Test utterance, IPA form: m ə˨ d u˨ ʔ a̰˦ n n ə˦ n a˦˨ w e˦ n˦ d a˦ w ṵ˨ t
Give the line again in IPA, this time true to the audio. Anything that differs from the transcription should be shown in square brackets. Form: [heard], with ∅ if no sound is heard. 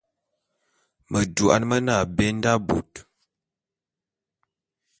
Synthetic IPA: m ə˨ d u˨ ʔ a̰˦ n [m] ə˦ n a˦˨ [b] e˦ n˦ d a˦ [b] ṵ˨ t